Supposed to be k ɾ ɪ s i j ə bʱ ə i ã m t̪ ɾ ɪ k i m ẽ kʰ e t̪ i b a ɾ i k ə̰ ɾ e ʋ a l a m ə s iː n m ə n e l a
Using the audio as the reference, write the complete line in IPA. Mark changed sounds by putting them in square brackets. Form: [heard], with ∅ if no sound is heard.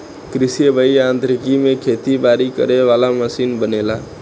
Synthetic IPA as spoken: k ɾ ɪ s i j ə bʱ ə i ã [n] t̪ ɾ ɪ k i m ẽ kʰ e t̪ i b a ɾ i k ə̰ ɾ e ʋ a l a m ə s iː n [b] ə n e l a